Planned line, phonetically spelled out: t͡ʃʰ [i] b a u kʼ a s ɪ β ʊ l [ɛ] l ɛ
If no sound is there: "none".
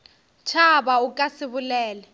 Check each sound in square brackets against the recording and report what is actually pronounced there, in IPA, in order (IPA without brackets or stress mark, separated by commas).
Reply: a, ɛː